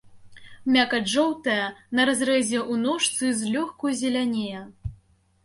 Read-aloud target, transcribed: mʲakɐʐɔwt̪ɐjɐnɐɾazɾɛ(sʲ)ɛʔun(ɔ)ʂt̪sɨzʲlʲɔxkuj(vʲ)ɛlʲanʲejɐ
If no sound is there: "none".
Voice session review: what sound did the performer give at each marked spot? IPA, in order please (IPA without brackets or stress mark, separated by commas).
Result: zʲ, ɔ, zʲ